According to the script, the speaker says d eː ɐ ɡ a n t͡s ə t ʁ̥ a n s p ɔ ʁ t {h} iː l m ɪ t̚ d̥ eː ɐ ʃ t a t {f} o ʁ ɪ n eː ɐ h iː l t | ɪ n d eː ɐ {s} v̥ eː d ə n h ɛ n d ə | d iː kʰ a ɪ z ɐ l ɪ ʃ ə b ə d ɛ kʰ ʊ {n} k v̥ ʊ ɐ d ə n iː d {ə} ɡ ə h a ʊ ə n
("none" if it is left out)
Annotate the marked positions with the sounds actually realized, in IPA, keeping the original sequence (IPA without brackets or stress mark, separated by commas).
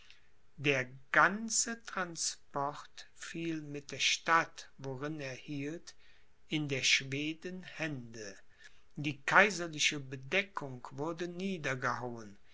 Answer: f, v, ʃ, ŋ, ɐ